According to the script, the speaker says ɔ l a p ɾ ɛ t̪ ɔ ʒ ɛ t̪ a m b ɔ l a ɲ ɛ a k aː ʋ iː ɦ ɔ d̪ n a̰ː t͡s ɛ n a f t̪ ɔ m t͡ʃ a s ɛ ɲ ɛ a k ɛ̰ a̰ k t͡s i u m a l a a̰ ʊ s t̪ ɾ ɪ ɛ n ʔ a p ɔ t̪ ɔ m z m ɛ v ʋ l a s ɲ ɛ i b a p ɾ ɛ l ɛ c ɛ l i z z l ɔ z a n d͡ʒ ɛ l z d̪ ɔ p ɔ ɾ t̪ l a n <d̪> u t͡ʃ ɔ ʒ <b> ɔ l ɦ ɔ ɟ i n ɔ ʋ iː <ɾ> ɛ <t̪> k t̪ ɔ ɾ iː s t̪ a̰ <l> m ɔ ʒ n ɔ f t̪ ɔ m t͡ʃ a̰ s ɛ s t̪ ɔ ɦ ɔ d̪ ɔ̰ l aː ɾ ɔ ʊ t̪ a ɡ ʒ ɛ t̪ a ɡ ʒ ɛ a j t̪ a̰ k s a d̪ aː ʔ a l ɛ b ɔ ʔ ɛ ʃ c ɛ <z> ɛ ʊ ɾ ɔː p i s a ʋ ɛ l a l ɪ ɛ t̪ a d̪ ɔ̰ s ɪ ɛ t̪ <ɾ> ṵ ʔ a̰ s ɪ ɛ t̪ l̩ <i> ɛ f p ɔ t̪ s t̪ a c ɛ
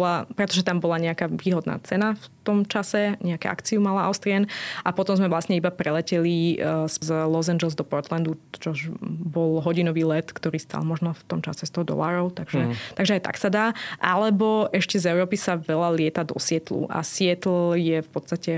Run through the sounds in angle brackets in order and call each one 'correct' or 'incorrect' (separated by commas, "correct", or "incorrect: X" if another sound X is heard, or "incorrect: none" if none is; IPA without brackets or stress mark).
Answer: correct, correct, incorrect: l, correct, correct, correct, incorrect: l, incorrect: j